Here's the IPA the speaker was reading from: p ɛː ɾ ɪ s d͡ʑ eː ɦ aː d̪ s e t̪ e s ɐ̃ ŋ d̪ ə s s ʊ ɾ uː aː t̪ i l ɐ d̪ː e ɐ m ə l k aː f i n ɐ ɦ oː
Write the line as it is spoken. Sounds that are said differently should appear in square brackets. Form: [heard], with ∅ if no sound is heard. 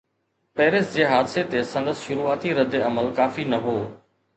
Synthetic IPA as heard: p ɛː ɾ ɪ s d͡ʑ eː ɦ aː d̪ s e t̪ e s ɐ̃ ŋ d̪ ə s [ʃ] ʊ ɾ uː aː t̪ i [ɾ] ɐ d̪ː e ɐ m ə l k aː f i n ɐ ɦ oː